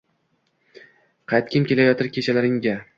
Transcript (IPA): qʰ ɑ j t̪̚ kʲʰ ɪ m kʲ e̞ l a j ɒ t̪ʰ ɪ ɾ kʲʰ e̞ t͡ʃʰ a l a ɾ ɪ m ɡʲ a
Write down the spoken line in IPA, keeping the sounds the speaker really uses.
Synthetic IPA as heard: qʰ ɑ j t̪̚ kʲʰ ɪ m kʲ e̞ l a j ɒ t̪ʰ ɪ ɾ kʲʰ e̞ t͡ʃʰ a l a ɾ ɪ ŋ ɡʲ a